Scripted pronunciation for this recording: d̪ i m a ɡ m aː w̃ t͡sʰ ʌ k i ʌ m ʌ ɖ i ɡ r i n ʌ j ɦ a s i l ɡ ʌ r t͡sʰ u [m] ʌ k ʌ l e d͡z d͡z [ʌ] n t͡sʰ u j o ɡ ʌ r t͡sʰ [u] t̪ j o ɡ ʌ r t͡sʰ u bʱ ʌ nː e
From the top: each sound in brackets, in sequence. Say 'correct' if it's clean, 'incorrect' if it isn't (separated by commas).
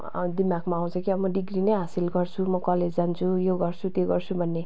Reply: correct, incorrect, correct